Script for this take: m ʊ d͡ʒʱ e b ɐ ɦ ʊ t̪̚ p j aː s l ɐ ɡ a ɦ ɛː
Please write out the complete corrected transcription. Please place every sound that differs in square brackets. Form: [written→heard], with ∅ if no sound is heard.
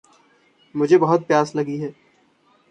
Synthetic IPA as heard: m ʊ d͡ʒʱ e b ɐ ɦ ʊ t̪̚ p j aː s l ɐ ɡ [a→i] ɦ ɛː